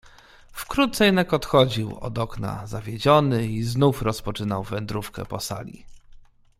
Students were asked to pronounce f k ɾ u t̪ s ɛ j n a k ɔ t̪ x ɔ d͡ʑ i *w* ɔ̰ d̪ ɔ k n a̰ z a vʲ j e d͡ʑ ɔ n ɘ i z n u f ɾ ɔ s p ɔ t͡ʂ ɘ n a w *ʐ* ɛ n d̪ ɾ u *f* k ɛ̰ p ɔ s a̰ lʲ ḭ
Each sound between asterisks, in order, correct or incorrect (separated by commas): correct, incorrect, correct